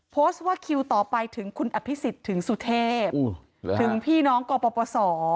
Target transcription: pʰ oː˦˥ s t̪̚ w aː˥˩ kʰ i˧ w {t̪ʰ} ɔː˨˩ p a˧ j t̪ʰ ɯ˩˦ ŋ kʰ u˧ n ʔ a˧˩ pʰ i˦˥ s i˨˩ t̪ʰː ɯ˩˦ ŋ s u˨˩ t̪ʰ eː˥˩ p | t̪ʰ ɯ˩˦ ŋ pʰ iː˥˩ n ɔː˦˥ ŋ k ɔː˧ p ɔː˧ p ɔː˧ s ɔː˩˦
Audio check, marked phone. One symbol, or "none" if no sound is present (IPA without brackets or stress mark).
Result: t̪